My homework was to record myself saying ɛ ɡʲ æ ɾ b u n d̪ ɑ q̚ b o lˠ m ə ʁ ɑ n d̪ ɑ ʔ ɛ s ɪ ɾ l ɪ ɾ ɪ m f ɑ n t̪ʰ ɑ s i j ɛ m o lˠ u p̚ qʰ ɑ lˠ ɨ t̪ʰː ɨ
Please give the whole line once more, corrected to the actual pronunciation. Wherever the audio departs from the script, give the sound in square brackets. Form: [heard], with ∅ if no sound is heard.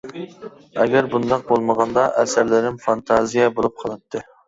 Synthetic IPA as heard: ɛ ɡʲ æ ɾ b u n d̪ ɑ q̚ b o lˠ m ə ʁ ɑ n d̪ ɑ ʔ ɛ s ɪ ɾ l ɪ ɾ ɪ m f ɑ n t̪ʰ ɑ [z] i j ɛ [b] o lˠ u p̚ qʰ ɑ lˠ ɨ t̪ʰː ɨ